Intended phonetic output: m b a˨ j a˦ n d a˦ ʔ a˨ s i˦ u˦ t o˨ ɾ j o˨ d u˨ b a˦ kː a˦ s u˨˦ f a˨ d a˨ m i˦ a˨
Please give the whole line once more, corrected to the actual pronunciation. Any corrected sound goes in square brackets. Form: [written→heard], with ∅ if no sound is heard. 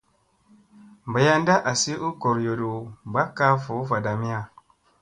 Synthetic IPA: m b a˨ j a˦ n d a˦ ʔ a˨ s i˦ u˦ [t→k] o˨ ɾ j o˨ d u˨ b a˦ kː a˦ [s→f] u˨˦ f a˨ d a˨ m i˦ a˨